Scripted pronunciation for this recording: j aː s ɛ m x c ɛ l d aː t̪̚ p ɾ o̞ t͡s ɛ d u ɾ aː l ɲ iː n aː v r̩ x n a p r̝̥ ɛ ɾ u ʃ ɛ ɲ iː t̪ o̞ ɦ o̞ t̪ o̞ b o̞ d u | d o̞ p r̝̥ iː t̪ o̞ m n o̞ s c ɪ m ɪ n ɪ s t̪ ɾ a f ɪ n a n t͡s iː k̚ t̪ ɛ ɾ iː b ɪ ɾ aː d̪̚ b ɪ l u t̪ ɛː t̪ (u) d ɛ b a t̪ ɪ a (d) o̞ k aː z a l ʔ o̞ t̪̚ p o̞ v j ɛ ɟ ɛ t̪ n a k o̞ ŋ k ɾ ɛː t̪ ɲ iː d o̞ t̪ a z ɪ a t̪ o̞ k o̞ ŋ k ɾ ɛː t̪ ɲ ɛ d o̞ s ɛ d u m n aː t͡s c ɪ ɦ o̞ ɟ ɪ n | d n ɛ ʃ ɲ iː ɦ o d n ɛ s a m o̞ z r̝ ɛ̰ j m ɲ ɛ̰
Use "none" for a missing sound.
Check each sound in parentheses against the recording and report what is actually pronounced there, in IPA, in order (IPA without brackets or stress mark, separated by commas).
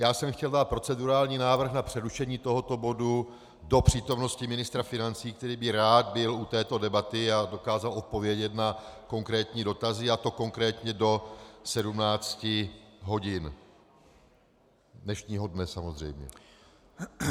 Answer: o, d